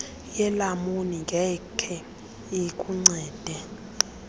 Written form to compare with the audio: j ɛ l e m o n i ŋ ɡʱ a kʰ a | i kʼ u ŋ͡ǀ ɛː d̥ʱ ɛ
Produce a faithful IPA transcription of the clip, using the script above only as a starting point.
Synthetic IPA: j ɛ l a m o n i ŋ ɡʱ ɛ kʰ ɛ | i kʼ u ŋ͡ǀ ɛː d̥ʱ ɛ

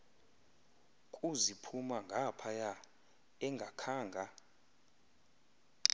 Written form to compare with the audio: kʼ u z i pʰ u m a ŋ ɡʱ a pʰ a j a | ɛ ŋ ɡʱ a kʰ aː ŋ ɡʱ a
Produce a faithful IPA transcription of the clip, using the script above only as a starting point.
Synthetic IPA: kʼ u z i pʰ u m a ŋ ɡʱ a pʰ a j a | ɛ ŋ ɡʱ a kʰ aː ŋ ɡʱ a

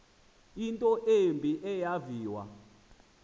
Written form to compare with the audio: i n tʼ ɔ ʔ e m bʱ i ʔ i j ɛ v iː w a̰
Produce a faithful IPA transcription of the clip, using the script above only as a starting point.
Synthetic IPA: i n tʼ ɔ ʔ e m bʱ i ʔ ɛ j a v iː w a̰

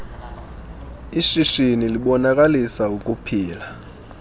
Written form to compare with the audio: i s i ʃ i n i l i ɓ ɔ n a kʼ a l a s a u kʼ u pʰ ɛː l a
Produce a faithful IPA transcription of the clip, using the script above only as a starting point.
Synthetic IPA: i ʃ i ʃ i n i l i ɓ ɔ n a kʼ a l i s a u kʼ u pʰ iː l a

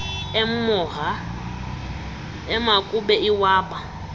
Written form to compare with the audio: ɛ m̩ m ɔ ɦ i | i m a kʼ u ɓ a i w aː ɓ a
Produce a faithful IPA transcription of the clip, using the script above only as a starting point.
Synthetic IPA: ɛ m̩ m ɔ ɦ a | ɛ m a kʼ u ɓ ɛ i w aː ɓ a

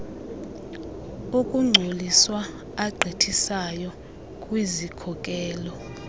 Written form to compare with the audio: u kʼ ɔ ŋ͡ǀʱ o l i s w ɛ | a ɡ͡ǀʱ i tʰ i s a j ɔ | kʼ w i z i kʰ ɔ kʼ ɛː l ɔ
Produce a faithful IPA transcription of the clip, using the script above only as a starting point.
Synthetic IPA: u kʼ u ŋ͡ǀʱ o l i s w a | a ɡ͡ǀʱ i tʰ i s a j ɔ | kʼ w i z i kʰ ɔ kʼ ɛː l ɔ

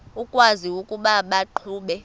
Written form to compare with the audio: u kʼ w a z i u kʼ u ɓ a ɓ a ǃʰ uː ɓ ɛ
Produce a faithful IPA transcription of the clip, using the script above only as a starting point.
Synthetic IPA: u kʼ w a z i u kʼ u ɓ a ɓ a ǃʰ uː ɓ ɛ

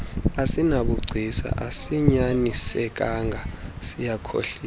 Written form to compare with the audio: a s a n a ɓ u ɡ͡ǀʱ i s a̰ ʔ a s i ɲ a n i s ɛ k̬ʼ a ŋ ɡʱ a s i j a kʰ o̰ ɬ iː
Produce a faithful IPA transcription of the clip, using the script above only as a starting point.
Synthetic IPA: a s i n a ɓ u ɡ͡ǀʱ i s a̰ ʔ a s i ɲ a n i s ɛ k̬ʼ a ŋ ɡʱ a s i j a kʰ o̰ ɬ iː

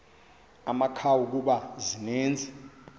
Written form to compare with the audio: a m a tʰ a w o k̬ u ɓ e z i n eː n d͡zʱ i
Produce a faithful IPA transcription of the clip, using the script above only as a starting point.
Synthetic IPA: a m a kʰ a w u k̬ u ɓ a z i n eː n d͡zʱ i

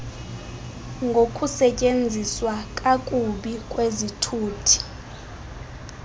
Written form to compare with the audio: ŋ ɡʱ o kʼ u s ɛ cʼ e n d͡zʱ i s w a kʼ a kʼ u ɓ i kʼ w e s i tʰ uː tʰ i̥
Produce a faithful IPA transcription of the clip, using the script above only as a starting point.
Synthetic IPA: ŋ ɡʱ o kʼ u s ɛ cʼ e n d͡zʱ i s w a kʼ a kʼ u ɓ i kʼ w e z i tʰ uː tʰ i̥

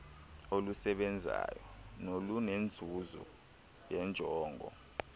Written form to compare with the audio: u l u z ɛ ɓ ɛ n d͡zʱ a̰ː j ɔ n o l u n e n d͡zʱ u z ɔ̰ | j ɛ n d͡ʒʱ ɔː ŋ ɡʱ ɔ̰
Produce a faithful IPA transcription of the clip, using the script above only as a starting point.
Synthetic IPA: o l u s ɛ ɓ ɛ n d͡zʱ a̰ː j ɔ n o l u n e n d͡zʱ u z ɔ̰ | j ɛ n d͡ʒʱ ɔː ŋ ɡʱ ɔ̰

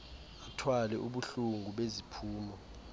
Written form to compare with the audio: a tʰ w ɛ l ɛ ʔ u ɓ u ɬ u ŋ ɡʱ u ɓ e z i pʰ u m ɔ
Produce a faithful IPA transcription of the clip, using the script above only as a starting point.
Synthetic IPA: a tʰ w a l ɛ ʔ u ɓ u ɬ u ŋ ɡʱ u ɓ e z i pʰ uː m ɔ

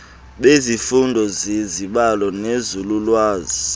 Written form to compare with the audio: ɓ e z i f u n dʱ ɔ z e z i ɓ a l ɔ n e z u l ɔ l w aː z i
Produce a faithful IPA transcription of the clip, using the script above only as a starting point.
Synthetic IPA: ɓ e z i f u n dʱ ɔ z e z i ɓ a l ɔ n e z u l u l w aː z i

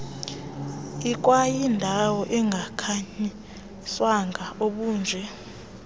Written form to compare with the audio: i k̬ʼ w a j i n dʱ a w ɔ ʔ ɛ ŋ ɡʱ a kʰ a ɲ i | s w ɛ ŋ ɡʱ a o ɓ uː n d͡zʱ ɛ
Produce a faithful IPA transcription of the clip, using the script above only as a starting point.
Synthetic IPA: i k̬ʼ w a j i n dʱ a w ɔ ʔ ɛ ŋ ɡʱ a kʰ a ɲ i | s w a ŋ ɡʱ a o ɓ uː n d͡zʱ ɛ

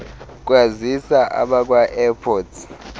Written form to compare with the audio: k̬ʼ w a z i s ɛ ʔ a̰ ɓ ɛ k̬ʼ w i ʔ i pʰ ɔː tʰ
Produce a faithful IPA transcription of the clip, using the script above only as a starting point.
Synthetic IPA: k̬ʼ w a z i s a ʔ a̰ ɓ a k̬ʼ w a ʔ ɛ pʰ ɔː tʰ

